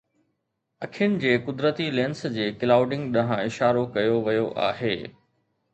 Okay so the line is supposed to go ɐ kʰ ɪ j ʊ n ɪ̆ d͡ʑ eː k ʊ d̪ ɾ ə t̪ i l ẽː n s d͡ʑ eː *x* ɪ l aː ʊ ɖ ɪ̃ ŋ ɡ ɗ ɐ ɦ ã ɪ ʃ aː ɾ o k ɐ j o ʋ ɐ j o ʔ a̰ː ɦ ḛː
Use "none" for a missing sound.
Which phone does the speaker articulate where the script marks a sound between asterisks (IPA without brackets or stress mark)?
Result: k